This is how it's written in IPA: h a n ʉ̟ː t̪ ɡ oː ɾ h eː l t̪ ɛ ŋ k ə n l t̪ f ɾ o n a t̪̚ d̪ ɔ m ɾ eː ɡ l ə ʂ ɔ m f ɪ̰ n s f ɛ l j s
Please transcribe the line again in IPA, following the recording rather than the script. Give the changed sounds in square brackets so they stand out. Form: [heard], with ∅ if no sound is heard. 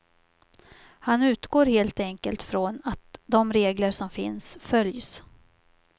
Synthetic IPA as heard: h a n ʉ̟ː t̪ ɡ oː ɾ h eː l t̪ ɛ ŋ k ə [∅] l t̪ f ɾ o n a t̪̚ d̪ ɔ m ɾ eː ɡ l ə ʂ ɔ m f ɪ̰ n s f [œ] l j s